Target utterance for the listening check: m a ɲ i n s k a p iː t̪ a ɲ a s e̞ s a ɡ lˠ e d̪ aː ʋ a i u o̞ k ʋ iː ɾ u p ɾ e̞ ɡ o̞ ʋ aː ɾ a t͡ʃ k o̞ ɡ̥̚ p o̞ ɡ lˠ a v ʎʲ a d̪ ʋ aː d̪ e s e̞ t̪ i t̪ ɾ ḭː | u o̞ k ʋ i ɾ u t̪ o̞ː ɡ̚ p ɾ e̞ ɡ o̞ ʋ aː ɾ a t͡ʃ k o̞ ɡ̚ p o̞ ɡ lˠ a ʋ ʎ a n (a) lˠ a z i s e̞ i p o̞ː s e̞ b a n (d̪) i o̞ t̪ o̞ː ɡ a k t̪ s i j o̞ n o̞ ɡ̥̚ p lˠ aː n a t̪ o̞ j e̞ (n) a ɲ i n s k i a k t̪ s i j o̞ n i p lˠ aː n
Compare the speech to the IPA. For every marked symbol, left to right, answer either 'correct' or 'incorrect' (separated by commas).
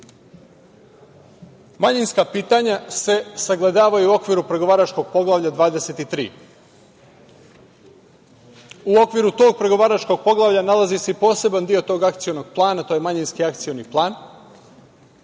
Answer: correct, correct, incorrect